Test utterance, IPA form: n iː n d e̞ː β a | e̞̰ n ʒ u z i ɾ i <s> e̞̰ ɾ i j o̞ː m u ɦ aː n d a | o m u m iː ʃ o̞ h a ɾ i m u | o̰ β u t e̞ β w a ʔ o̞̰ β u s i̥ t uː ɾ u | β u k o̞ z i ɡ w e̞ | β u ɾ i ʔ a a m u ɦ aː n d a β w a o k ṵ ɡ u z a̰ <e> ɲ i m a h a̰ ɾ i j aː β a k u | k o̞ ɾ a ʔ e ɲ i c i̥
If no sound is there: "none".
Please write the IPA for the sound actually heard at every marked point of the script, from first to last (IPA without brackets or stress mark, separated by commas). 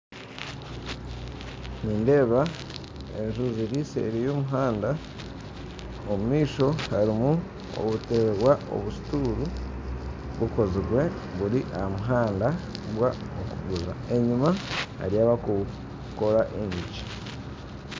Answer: s, e